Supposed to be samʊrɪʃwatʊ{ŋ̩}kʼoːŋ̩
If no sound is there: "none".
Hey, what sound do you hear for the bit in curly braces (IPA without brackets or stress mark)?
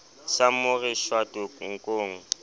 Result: ŋ̩